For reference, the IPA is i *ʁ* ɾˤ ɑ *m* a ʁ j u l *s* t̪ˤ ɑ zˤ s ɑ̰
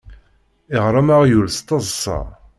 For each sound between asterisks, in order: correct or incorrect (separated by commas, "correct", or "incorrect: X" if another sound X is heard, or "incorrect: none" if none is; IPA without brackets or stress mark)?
correct, correct, correct